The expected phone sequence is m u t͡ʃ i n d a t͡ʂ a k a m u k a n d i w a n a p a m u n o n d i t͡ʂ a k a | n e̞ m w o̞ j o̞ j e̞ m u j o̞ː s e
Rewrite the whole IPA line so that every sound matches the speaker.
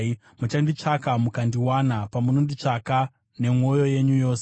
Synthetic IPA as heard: m u t͡ʃ a n d i t͡ʂ a k a m u k a n d i w a n a p a m u n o n d i t͡ʂ a k a | n e̞ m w o̞ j o̞ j e̞ ɲ u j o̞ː s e